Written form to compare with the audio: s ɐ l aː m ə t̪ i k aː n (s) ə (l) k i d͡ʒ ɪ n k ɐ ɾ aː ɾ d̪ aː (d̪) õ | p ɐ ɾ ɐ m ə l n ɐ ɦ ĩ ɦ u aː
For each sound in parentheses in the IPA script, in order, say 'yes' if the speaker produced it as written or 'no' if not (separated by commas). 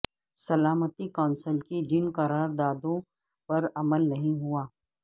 yes, yes, yes